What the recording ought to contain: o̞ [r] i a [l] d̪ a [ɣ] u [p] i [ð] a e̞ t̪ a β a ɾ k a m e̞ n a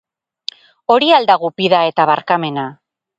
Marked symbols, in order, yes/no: no, yes, yes, yes, yes

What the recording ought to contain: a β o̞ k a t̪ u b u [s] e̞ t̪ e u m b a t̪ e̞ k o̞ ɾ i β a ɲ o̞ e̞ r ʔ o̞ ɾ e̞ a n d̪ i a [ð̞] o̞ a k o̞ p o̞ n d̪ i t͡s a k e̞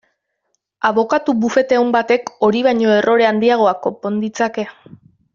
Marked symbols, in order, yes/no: no, no

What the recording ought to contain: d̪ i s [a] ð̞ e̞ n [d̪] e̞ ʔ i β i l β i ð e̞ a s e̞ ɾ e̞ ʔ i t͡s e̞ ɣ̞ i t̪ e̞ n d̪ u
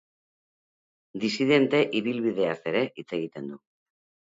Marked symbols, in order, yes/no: no, no

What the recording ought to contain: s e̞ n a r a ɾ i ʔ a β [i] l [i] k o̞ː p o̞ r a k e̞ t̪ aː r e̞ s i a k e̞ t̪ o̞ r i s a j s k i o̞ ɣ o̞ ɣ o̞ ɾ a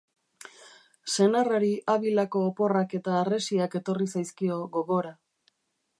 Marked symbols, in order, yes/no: yes, no

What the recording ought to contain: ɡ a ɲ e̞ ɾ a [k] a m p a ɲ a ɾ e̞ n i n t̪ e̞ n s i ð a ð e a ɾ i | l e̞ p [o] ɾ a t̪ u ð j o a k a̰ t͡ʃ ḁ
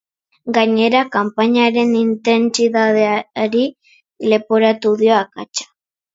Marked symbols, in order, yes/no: yes, yes

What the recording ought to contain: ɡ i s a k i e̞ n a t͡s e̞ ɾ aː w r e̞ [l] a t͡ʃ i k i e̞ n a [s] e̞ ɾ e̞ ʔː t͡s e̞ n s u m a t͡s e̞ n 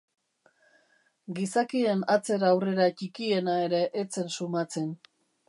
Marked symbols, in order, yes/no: no, no

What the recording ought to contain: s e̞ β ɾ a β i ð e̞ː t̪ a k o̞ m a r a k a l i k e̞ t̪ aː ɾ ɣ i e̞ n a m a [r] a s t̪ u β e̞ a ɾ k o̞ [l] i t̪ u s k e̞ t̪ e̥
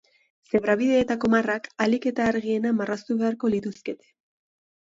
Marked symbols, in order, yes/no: yes, yes

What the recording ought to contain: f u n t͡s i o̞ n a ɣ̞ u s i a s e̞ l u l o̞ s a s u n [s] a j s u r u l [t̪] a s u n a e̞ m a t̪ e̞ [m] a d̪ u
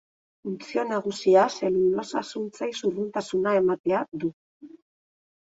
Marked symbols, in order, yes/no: no, yes, no

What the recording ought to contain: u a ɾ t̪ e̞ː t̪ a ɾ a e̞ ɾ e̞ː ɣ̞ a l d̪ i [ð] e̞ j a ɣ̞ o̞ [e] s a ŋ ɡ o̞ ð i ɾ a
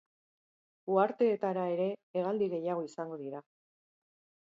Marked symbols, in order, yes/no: no, no

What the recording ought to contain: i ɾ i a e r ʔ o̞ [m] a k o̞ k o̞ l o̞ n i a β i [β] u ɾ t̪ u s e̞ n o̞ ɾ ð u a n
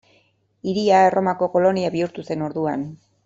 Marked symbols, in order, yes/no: yes, no

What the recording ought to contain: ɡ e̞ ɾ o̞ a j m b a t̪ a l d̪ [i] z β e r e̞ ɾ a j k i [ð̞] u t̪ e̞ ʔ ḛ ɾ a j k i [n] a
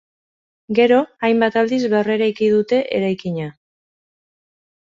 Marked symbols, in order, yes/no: yes, yes, no

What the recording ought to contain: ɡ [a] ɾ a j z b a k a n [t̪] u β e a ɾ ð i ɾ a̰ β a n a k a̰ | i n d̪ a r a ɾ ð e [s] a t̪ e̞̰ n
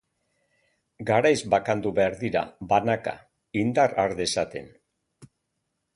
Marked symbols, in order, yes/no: yes, no, yes

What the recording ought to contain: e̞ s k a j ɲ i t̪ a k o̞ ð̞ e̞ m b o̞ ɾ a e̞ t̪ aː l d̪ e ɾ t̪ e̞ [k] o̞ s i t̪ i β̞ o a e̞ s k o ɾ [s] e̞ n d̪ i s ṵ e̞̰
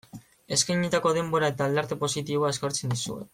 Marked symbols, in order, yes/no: no, no

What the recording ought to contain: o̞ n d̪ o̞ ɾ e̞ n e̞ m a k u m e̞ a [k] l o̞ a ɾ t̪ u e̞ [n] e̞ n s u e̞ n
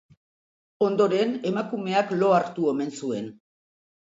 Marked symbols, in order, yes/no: yes, no

